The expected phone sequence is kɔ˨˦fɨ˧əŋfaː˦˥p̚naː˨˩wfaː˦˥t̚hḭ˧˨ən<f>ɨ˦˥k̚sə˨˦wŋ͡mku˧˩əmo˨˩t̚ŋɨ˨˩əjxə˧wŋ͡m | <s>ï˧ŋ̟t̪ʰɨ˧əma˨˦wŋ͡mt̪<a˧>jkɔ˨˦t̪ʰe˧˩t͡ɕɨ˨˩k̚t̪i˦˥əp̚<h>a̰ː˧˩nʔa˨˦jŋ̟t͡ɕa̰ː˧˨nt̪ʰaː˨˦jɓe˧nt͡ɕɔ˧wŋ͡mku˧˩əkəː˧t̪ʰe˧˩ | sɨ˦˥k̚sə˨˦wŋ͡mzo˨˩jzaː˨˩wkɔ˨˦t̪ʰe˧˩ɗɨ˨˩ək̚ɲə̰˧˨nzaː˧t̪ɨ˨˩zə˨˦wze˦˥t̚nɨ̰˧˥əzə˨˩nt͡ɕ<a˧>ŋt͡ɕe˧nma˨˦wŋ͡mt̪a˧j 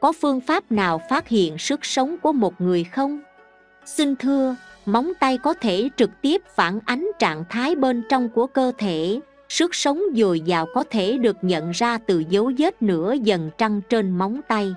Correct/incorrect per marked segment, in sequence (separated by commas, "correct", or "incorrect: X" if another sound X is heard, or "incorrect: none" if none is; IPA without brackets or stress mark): incorrect: s, correct, correct, incorrect: f, correct